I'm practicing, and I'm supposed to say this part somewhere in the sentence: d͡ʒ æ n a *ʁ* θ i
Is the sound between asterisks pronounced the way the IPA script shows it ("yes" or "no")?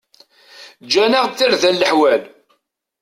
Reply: yes